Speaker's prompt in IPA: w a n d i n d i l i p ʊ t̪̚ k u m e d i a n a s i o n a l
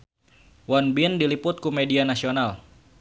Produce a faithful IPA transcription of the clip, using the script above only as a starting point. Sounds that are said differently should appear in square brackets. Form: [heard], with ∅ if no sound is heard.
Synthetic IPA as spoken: w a n [b] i n d i l i p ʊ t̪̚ k u m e d i a n a s i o n a l